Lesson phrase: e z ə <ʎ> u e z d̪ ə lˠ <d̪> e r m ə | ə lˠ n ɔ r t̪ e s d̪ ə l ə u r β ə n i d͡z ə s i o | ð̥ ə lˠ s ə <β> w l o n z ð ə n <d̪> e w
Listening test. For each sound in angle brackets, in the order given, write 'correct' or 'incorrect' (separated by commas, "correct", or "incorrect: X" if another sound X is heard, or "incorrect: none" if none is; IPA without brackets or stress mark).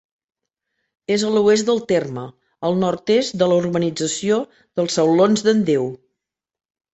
incorrect: l, incorrect: t̪, incorrect: none, correct